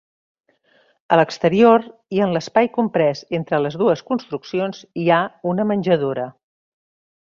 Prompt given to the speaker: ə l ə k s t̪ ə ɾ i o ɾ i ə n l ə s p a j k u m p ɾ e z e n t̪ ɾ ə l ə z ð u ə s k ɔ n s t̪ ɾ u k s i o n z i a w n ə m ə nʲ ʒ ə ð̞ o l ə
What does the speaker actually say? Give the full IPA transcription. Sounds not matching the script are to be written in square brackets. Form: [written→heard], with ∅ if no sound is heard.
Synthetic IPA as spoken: ə l ə k s t̪ ə ɾ i o ɾ i ə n l ə s p a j k u m p ɾ [e→ɛ] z e n t̪ ɾ ə l ə z ð u ə s k [ɔ→u] n s t̪ ɾ u k s i o n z i a [w→u] n ə m ə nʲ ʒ ə ð̞ o [l→ɾ] ə

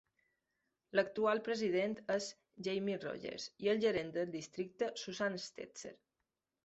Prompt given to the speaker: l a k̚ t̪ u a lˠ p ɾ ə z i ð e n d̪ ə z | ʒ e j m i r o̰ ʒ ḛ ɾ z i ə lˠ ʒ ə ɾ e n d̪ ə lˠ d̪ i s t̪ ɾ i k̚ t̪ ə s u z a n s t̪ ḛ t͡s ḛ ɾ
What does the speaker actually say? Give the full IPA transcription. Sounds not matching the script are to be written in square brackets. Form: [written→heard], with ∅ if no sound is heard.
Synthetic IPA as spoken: l [a→ə] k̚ t̪ u a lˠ p ɾ ə z i ð e n [d̪→t̪] ə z | ʒ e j m i r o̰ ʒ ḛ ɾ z i ə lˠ ʒ ə ɾ e n d̪ ə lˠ d̪ i s t̪ ɾ i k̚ t̪ ə s u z a n s t̪ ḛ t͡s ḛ ɾ

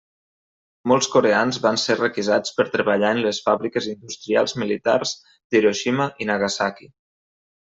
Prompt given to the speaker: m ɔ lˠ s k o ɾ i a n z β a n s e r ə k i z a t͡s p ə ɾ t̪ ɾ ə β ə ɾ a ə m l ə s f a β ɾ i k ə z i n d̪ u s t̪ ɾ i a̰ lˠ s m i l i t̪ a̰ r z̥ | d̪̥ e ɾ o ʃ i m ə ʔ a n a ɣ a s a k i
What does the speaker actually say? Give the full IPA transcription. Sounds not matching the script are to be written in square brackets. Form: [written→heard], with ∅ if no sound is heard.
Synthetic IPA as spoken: m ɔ lˠ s k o ɾ [i→e] a n z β a n s e r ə k i z a t͡s p ə ɾ t̪ ɾ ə β ə [ɾ→ʎ] a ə [m→n] l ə s f a β ɾ i k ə z i n d̪ u s t̪ ɾ i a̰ lˠ [s→z] m i l i t̪ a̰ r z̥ | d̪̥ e ɾ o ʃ i m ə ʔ [a→i] n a ɣ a s a k i

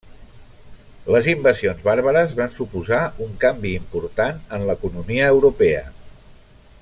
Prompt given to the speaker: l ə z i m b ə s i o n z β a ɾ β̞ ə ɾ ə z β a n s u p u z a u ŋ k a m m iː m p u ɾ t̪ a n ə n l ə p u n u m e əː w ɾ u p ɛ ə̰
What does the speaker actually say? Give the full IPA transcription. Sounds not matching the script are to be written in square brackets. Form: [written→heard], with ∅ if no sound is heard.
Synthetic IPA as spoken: l ə z i m b ə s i o n z β a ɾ β̞ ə ɾ ə z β a n s u p u z a u ŋ k a m [m→b] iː m p u ɾ t̪ a n ə n l ə [p→k] u n u m [e→i] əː w ɾ u p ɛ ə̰

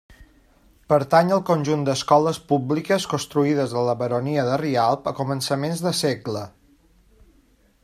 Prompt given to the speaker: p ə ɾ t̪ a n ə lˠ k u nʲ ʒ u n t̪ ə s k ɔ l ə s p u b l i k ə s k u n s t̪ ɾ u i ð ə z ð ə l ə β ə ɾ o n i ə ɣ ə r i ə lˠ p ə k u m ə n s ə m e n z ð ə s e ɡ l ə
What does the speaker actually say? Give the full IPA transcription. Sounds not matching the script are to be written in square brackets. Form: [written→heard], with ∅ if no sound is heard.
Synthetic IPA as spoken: p ə ɾ t̪ a [n→ɲ] ə lˠ k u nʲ ʒ u n [t̪→d̪] ə s k ɔ l ə s p u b l i k ə s k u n s t̪ ɾ u i ð ə z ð ə l ə β ə ɾ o n i ə [ɣ→ð] ə r i [ə→a] lˠ p ə k u m ə n s ə m e n z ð ə s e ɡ l ə

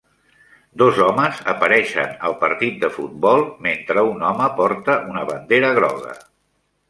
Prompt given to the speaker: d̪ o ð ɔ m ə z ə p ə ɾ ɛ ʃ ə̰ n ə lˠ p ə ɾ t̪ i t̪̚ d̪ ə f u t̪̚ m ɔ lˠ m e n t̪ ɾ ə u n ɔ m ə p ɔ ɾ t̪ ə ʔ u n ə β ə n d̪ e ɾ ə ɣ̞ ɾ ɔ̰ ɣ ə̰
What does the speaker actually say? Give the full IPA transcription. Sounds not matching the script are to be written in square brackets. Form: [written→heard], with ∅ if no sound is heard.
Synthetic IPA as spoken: d̪ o [ð→z] ɔ m ə z ə p ə ɾ ɛ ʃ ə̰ n ə lˠ p ə ɾ t̪ i t̪̚ d̪ ə f u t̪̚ [m→b] ɔ lˠ m e n t̪ ɾ ə u n ɔ m ə p ɔ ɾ t̪ ə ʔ u n ə β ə n d̪ e ɾ ə ɣ̞ ɾ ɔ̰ ɣ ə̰

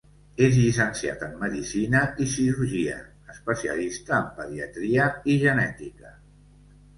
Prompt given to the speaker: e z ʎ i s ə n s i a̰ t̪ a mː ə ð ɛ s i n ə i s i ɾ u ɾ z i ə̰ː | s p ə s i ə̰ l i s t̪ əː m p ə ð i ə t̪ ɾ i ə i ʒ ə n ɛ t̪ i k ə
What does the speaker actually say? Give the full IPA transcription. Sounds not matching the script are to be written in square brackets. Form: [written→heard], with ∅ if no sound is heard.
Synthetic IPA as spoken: e z ʎ i s ə n s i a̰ t̪ [a→ə] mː ə ð [ɛ→i] s i n ə i s i ɾ u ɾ [z→ʒ] i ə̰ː | s p ə s i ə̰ l i s t̪ əː m p ə ð i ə t̪ ɾ i ə i ʒ ə n ɛ t̪ i k ə

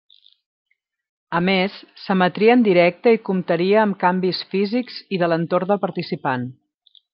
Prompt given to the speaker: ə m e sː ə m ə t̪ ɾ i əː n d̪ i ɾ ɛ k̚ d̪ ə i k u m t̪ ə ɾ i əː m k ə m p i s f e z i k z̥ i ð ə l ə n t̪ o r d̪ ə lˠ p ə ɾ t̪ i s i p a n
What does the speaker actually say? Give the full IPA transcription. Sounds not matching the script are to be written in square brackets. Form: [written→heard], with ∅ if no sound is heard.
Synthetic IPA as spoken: ə m e sː ə m ə t̪ ɾ i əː n d̪ i ɾ ɛ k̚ [d̪→t̪] ə i k u m t̪ ə ɾ i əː m k [ə→a] m [p→b] i s f [e→i] z i k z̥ i ð ə l ə n t̪ o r d̪ ə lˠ p ə ɾ t̪ i s i p a n

